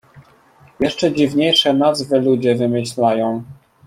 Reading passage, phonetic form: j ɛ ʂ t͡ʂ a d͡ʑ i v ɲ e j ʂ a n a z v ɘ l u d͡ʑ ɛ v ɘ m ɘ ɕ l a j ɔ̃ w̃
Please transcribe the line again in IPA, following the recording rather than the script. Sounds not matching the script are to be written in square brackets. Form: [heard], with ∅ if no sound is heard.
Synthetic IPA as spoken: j ɛ ʂ t͡ʂ [ɛ] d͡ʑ i v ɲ e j ʂ [ɛ] n a z v ɘ l u d͡ʑ ɛ v ɘ m ɘ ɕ l a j ɔ̃ w̃

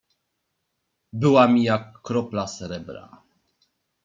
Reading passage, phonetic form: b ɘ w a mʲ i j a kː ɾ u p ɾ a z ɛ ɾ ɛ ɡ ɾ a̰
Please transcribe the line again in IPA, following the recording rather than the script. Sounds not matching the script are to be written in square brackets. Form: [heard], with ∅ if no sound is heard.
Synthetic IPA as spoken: b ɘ w a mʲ i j a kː ɾ [ɔ] p [l] a [s] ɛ ɾ ɛ [b] ɾ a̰

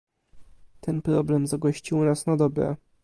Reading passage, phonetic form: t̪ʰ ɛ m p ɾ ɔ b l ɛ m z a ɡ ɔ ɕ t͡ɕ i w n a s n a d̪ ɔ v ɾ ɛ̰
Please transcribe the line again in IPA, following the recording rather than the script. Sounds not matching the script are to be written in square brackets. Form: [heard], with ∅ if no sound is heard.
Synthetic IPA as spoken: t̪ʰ ɛ [n] p ɾ ɔ b l ɛ m z a ɡ ɔ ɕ t͡ɕ i w n a s n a d̪ ɔ [b] ɾ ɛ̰

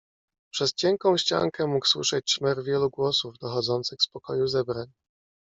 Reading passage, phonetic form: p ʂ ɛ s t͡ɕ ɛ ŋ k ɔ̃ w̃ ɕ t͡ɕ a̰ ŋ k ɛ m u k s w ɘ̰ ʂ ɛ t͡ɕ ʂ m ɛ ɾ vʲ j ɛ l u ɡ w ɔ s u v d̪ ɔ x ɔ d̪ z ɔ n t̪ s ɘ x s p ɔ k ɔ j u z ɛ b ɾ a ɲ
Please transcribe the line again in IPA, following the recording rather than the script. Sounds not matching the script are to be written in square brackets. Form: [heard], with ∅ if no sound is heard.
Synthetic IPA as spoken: p ʂ ɛ s t͡ɕ ɛ ŋ k ɔ̃ w̃ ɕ t͡ɕ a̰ ŋ k ɛ m u k s w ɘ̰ ʂ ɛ t͡ɕ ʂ m ɛ ɾ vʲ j ɛ l u ɡ w ɔ s u v d̪ ɔ x ɔ d̪ z ɔ n t̪ s ɘ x s p ɔ k ɔ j u z ɛ b ɾ a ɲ

